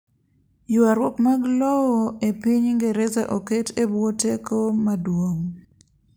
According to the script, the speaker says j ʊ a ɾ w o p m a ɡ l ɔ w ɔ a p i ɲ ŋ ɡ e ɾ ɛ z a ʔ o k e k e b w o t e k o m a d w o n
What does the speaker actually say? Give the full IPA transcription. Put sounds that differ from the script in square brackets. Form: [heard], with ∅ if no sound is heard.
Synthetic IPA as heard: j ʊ a ɾ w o p m a ɡ l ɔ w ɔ [e] p i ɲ ŋ ɡ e ɾ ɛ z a ʔ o k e [t] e b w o t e k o m a d w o [ŋ]